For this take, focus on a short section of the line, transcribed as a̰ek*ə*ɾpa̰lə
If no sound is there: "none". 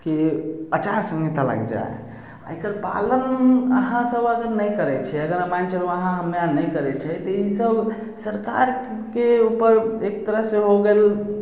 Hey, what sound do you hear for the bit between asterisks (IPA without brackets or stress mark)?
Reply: ə